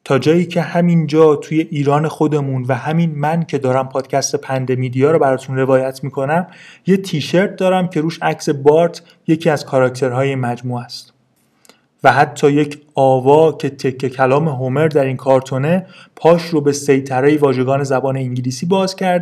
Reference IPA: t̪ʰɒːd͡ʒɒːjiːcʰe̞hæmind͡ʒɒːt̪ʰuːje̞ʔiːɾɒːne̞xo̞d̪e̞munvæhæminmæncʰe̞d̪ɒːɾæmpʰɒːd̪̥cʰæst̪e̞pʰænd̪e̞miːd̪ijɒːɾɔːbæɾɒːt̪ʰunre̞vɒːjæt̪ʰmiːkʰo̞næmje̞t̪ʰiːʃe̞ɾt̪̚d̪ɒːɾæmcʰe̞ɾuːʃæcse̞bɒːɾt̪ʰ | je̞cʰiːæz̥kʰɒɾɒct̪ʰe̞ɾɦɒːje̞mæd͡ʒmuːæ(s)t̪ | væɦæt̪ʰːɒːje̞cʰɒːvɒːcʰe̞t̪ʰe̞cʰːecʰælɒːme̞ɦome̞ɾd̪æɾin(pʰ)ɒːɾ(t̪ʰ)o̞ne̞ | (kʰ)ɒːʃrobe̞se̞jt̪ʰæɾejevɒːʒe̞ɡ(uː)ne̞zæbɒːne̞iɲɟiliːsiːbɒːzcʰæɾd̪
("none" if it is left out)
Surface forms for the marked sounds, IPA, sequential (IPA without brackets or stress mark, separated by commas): s, kʰ, t̪ʰ, pʰ, ɒː